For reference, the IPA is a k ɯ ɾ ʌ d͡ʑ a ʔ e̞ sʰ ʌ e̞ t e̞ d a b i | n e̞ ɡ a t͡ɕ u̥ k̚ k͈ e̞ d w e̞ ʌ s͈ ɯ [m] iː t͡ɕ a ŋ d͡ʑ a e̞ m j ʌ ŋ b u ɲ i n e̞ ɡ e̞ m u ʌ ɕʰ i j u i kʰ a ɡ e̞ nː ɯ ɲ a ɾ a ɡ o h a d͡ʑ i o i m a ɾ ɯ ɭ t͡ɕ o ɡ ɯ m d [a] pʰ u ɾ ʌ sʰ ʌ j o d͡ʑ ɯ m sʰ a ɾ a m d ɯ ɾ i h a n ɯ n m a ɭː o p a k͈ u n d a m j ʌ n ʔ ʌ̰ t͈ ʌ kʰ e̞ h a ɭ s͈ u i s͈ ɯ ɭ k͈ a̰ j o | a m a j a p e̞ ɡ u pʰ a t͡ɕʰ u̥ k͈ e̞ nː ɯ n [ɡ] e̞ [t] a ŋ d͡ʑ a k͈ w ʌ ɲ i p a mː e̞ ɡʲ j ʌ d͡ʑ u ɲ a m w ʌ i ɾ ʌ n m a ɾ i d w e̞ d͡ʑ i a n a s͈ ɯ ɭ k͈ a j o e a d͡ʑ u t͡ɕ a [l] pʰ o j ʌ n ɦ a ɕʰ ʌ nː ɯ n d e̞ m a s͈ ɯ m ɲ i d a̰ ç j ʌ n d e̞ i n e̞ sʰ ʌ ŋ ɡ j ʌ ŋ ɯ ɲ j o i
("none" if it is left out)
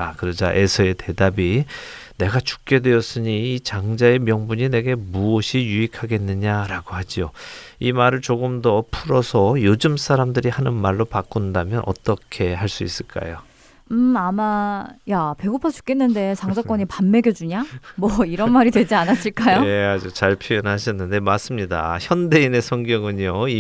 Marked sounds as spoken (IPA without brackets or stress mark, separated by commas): ɲ, ʌ, d, t͡ɕ, ɭ